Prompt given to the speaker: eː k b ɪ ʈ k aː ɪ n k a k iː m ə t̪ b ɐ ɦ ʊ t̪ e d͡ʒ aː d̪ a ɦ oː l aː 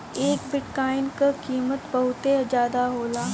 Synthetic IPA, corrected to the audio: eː k b ɪ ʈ k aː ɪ n k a k iː m ə t̪ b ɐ ɦ ʊ t̪ e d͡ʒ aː d̪ a ɦ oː l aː